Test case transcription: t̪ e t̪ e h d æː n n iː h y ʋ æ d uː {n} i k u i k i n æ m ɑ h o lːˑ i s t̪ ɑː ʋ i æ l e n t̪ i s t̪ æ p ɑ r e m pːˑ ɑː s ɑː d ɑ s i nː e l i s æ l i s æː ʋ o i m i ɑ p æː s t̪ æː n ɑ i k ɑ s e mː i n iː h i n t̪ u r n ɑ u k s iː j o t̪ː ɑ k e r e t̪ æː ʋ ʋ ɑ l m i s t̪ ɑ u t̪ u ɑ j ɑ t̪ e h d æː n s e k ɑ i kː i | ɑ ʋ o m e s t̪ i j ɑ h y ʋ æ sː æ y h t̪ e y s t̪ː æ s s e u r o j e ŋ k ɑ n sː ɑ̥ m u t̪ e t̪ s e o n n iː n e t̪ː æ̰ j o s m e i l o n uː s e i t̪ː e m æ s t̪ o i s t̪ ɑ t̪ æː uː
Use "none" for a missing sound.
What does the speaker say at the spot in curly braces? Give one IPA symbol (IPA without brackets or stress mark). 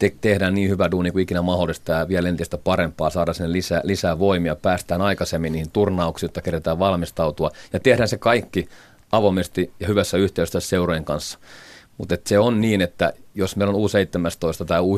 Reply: n